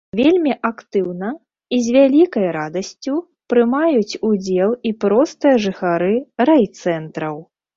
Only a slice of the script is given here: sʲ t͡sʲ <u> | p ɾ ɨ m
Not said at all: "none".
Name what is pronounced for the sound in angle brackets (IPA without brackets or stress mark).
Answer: u